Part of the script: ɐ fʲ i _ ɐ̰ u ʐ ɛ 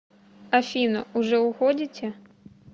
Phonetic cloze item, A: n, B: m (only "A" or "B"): A